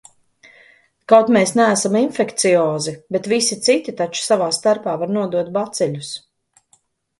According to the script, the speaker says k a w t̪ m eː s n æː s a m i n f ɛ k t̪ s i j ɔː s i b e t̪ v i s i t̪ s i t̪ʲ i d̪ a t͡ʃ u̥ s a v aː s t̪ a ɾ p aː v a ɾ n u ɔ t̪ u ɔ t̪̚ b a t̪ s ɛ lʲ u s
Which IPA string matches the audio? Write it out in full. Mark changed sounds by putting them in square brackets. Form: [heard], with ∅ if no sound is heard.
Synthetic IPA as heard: k a w t̪ m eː s n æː s a m i n f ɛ k t̪ s i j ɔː [z] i b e t̪ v i s i t̪ s i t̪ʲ i [t̪] a t͡ʃ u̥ s a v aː s t̪ a ɾ p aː v a ɾ n u ɔ [d̪] u ɔ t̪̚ b a t̪ s ɛ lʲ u s